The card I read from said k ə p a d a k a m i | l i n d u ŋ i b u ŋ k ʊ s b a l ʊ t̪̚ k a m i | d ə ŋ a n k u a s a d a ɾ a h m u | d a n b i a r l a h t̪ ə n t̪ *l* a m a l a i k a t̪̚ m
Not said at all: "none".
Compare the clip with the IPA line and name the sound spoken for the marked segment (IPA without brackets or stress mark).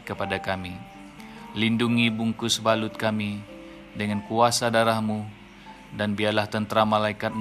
ɾ